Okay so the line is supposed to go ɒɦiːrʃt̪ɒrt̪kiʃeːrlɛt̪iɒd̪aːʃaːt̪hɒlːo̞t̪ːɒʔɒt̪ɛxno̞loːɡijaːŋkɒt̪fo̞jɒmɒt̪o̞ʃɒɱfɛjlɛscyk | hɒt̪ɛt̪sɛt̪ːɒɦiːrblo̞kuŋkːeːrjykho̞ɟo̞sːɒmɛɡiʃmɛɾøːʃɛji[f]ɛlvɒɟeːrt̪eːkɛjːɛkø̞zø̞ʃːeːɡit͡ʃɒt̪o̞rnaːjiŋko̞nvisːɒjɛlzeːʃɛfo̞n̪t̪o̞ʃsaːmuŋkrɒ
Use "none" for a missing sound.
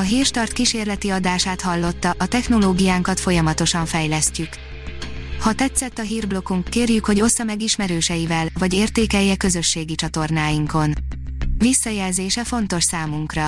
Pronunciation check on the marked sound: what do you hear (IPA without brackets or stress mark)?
v